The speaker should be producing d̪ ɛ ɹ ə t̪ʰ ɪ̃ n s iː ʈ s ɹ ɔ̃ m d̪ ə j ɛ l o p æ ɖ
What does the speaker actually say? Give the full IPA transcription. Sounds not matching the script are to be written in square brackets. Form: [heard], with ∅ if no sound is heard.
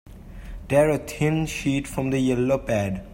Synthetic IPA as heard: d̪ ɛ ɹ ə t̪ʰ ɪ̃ n [ʃ] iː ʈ [f] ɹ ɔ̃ m d̪ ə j ɛ l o p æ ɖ

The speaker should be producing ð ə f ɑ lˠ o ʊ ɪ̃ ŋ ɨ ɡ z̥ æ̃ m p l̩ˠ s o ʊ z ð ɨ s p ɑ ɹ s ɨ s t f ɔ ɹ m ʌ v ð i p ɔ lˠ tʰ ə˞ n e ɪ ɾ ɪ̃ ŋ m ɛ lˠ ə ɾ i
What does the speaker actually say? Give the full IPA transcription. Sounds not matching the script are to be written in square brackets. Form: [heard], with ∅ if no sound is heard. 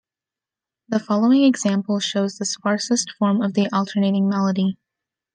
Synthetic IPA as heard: ð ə f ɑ lˠ o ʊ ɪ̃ ŋ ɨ ɡ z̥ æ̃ m p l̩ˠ [ʃ] o ʊ z ð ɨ s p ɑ ɹ s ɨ s t f ɔ ɹ m ʌ v ð i [ʔ] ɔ lˠ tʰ ə˞ n e ɪ ɾ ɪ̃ ŋ m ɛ lˠ ə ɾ i

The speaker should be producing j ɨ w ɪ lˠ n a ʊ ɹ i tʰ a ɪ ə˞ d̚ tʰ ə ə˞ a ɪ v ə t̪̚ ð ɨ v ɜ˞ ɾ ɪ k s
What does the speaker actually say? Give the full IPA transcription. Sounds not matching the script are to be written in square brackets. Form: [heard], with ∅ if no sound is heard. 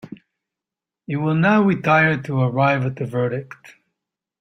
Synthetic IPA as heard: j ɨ w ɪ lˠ n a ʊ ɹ i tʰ a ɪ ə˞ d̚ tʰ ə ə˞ a ɪ v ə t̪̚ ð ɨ v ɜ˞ ɾ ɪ k [t]

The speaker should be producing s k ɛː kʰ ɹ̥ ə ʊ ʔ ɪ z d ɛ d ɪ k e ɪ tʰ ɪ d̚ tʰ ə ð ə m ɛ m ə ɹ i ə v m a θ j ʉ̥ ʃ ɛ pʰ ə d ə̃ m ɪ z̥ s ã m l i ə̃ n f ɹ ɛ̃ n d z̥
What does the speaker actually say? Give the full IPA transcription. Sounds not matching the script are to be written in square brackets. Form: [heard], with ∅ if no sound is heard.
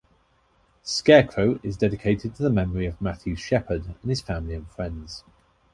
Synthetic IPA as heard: s k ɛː kʰ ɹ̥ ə ʊ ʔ ɪ z d ɛ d ɪ [kʰ] e ɪ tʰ ɪ d̚ tʰ ə ð ə m ɛ m ə ɹ i ə v m a θ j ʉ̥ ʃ ɛ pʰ ə d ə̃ [n] ɪ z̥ [f] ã m l i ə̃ n f ɹ ɛ̃ n d z̥

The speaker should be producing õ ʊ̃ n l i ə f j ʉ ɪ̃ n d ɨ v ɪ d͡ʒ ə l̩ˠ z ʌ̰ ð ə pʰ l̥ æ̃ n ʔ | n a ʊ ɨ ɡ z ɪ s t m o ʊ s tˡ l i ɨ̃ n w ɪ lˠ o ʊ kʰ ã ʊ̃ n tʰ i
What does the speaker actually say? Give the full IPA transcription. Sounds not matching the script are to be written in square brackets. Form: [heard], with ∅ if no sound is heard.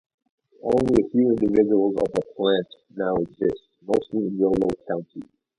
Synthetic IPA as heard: õ ʊ̃ n l i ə f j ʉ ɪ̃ n d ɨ v ɪ d͡ʒ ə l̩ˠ z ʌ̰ [v] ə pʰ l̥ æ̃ n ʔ | n a ʊ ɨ ɡ z ɪ s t m o ʊ s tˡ l i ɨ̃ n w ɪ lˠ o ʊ kʰ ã ʊ̃ n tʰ i

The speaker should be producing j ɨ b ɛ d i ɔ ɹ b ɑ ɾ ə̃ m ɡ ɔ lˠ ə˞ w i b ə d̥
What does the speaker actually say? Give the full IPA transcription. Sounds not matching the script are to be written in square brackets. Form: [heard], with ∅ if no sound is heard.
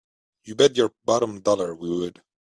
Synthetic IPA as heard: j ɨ b ɛ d [j] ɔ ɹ b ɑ ɾ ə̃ m [d] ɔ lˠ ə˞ w i [w] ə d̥

